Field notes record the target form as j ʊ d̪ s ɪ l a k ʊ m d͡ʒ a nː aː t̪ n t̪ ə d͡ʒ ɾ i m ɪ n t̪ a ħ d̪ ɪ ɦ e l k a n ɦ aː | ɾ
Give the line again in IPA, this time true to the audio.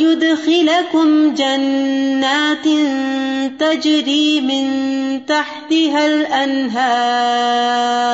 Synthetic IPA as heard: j ʊ d̪ x ɪ l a k ʊ m d͡ʒ a nː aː t̪ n t̪ a d͡ʒ ɾ iː m ɪ n t̪ a ħ t̪ ɪ ɦ a l ʔ a n ɦ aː | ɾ